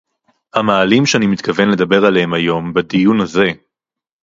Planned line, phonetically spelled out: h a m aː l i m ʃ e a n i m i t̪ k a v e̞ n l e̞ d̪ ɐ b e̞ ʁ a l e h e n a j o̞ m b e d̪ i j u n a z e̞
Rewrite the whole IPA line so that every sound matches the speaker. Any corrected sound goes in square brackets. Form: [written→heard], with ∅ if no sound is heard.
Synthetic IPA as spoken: h a m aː l i m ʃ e a n i m i t̪ k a v e̞ n l e̞ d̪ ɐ b e̞ ʁ a l e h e [n→m] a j o̞ m b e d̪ i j u n a z e̞